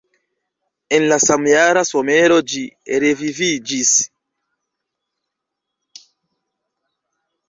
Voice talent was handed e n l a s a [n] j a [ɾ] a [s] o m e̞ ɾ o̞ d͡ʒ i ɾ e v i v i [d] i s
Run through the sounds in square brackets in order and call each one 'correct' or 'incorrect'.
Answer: incorrect: m, correct, correct, incorrect: d͡ʒ

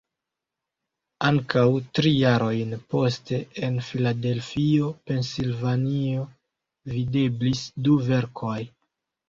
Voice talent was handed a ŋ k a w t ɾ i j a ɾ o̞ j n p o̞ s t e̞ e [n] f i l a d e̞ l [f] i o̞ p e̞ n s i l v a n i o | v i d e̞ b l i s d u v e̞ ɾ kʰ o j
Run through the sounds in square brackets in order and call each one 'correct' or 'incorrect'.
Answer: correct, correct

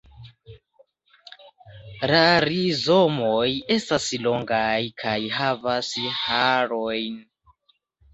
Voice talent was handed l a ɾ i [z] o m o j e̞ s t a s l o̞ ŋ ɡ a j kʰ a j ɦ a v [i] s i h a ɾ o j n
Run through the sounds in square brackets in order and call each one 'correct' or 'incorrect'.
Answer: correct, incorrect: a

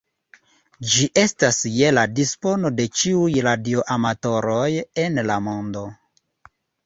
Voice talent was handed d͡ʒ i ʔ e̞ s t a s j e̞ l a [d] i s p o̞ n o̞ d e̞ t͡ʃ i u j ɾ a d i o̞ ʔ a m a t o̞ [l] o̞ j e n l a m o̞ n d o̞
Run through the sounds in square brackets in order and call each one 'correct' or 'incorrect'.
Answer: correct, incorrect: ɾ

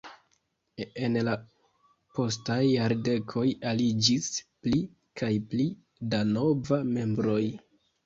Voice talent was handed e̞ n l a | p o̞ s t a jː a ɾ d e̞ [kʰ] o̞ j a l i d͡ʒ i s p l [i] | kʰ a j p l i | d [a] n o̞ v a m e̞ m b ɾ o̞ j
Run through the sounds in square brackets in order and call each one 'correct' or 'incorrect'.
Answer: correct, correct, correct

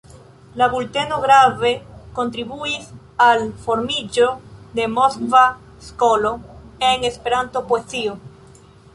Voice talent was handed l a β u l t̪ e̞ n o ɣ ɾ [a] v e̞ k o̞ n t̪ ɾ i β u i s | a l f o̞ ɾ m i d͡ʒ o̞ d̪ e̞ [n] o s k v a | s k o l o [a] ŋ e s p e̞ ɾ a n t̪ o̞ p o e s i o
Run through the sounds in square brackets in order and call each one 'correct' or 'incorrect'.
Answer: correct, incorrect: m, incorrect: e

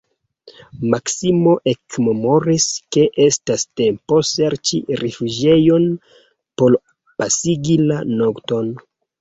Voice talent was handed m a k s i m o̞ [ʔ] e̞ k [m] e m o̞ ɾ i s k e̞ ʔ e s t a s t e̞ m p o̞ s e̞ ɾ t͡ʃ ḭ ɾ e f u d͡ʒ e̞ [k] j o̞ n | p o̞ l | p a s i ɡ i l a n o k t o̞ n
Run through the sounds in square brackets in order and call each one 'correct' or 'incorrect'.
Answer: correct, correct, incorrect: none

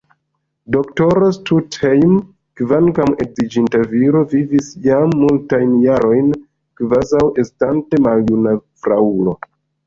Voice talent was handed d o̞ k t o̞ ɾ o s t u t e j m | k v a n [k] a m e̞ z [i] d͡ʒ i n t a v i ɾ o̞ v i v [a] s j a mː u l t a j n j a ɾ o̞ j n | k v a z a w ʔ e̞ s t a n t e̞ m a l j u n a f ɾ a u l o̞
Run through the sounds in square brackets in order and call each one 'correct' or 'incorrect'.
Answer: correct, correct, incorrect: i

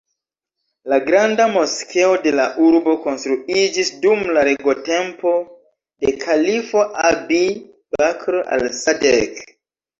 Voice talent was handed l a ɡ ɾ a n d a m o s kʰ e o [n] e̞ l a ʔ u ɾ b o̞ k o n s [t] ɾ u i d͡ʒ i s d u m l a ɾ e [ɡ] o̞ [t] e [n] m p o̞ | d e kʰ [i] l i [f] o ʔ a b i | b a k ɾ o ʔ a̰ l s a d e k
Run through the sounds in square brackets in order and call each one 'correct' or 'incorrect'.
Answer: incorrect: d, correct, correct, correct, incorrect: none, incorrect: a, correct

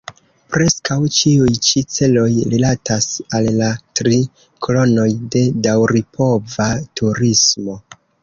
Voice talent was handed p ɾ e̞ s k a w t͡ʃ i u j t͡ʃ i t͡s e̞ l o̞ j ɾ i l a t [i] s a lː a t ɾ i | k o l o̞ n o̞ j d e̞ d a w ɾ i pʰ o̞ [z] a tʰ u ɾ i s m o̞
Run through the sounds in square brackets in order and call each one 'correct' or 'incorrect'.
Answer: incorrect: a, incorrect: v

